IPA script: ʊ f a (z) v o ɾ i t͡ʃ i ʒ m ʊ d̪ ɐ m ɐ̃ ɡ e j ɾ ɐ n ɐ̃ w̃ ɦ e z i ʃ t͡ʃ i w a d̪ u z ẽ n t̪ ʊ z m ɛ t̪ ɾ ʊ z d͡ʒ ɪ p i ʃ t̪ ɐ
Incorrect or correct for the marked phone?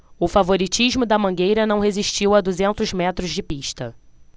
incorrect: none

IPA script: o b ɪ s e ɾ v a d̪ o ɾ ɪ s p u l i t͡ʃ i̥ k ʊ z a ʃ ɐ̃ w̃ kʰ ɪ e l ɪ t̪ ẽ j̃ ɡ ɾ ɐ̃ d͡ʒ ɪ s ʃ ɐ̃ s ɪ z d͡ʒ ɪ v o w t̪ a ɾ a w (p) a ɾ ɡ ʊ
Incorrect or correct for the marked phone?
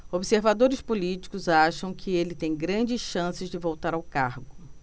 incorrect: k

